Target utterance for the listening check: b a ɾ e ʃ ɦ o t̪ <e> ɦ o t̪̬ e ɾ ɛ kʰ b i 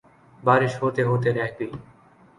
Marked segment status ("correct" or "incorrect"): correct